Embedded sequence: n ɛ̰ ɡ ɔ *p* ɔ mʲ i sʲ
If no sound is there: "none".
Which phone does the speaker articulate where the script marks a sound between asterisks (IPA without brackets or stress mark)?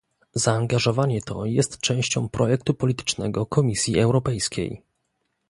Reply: k